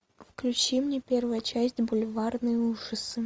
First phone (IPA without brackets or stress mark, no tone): f